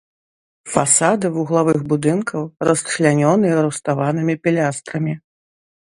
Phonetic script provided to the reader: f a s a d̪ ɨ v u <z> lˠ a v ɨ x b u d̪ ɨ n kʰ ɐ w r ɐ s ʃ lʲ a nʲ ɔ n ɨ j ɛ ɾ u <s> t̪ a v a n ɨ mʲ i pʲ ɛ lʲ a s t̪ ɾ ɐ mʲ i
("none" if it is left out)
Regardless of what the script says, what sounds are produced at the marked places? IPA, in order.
ɣ, s

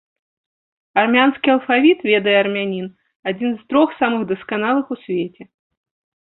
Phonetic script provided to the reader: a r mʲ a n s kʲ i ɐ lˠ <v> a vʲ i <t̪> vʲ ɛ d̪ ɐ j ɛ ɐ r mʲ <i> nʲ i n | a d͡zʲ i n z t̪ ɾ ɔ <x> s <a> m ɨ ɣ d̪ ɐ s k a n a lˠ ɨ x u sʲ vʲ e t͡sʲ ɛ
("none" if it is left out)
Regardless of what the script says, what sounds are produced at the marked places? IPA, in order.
f, t̪, a, x, a

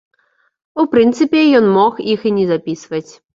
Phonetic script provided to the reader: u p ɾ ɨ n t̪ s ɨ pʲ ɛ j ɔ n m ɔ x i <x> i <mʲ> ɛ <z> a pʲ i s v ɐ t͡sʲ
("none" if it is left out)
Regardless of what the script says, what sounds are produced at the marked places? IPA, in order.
x, nʲ, z

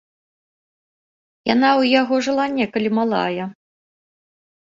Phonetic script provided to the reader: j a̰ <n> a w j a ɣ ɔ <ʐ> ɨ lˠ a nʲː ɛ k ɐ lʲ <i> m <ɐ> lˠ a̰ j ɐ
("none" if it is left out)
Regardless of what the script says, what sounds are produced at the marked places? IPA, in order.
n, ʐ, i, a

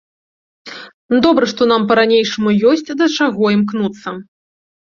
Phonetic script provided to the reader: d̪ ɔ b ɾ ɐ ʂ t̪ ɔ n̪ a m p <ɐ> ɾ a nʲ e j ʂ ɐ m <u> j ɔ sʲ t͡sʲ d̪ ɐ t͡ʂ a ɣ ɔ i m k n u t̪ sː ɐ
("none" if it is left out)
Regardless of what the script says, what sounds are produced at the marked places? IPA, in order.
ɐ, u

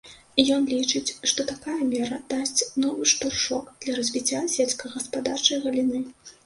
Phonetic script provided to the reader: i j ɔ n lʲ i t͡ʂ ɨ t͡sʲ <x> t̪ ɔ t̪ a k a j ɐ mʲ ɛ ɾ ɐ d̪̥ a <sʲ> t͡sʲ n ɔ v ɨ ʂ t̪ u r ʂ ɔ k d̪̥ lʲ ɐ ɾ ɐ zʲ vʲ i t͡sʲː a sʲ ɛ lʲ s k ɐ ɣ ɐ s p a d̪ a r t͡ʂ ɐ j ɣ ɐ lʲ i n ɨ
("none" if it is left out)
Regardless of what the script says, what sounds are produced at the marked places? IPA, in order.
ʂ, sʲ

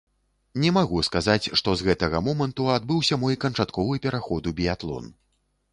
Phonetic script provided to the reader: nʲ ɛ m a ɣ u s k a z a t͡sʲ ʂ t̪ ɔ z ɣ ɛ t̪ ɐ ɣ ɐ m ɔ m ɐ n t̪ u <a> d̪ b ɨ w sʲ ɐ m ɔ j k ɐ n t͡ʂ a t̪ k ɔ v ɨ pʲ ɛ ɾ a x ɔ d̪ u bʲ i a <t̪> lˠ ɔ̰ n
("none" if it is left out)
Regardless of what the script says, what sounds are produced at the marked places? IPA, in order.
a, t̪

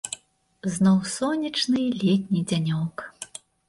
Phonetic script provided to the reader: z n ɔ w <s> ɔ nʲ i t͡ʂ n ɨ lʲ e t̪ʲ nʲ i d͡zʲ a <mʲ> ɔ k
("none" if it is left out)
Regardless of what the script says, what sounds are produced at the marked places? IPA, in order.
s, nʲ

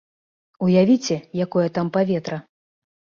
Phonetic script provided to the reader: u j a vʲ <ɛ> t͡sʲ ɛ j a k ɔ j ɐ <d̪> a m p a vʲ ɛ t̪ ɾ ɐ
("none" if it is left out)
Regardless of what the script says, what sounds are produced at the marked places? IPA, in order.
i, t̪

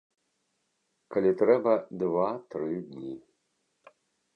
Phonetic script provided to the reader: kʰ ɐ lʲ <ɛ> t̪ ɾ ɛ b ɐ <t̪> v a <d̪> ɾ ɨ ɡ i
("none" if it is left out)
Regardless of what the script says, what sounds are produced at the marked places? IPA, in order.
i, d̪, t̪

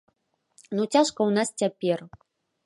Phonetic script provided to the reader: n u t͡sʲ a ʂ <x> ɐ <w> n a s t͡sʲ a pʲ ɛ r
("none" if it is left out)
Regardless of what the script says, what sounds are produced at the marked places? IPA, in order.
k, w

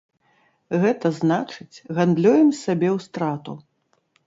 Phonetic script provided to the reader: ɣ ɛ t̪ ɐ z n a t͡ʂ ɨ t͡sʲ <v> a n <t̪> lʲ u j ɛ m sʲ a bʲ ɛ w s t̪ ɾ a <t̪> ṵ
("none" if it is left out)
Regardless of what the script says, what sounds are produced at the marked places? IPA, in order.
ɣ, d̪, t̪

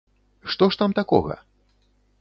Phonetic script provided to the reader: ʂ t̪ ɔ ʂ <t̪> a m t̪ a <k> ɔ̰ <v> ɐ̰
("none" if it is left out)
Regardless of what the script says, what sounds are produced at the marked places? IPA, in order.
t̪, k, ɣ

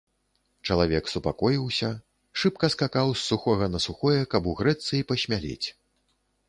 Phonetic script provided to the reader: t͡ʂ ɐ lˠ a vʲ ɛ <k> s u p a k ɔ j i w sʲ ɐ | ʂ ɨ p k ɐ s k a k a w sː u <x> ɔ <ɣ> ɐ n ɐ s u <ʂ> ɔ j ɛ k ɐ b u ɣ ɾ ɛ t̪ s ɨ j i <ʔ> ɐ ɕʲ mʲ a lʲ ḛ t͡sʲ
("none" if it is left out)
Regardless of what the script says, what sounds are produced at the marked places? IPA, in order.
k, x, ɣ, x, p

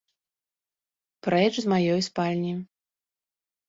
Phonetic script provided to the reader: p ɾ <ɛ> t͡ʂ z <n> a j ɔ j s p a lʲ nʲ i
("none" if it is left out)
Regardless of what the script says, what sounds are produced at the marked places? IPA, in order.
ɛ, m

